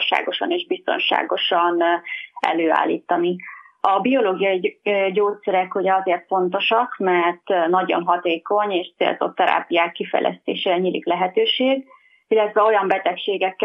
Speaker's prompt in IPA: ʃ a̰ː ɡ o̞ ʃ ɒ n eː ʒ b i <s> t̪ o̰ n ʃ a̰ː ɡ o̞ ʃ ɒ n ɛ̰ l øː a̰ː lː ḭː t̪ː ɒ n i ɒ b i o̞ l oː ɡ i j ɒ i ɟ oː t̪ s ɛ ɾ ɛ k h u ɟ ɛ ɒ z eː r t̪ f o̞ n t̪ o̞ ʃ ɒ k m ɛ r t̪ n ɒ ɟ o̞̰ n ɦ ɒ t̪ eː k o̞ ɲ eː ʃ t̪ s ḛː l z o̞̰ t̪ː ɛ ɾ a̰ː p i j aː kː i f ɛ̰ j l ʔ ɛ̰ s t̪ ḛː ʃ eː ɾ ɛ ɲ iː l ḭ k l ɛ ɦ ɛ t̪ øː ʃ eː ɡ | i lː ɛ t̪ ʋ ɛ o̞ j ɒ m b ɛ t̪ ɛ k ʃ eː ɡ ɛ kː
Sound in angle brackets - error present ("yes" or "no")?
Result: no